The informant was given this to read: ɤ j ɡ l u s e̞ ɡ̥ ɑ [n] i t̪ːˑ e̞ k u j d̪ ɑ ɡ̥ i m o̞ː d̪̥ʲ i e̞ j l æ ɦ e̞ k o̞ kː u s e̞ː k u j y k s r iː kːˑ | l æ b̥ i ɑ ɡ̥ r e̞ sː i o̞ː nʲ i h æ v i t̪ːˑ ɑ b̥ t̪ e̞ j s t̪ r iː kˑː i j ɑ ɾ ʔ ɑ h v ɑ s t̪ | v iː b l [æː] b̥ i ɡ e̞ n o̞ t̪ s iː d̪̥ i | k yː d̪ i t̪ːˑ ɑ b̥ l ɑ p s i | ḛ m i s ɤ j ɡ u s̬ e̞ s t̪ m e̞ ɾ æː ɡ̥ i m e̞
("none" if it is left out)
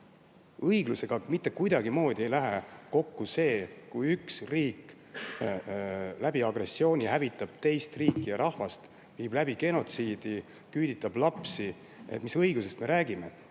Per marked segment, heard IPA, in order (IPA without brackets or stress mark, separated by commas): m, æ